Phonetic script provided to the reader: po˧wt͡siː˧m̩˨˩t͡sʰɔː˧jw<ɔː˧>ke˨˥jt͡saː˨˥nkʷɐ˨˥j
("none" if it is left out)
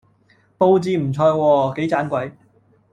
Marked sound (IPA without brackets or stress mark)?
ɔː˧